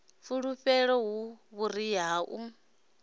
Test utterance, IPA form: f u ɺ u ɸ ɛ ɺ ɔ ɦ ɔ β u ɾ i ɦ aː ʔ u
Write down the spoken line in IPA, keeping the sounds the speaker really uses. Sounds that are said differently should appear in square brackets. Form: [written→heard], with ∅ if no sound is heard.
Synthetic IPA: f u ɺ u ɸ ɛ ɺ ɔ ɦ [ɔ→u] β u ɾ i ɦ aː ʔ u